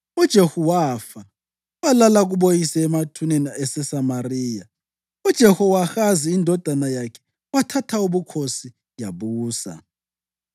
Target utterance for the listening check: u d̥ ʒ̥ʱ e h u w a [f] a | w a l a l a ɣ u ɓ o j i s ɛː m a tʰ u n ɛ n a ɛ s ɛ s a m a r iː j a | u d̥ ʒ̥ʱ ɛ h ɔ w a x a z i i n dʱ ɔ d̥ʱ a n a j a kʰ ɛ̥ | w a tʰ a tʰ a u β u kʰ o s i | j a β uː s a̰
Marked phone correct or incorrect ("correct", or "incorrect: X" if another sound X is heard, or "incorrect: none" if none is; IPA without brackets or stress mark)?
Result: correct